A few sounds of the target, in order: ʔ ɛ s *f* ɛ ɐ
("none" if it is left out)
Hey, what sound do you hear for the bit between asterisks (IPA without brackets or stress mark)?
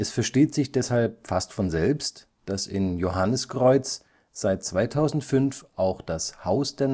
f